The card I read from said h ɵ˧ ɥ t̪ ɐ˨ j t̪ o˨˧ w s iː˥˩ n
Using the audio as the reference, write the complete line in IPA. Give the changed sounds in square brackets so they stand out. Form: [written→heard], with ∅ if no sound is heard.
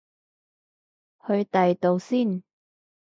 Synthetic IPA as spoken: h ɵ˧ ɥ t̪ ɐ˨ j t̪ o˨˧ w s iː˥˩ n